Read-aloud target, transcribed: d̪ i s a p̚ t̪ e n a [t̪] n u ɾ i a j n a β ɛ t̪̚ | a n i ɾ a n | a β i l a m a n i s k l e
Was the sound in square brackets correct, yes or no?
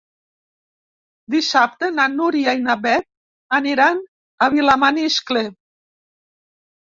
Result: no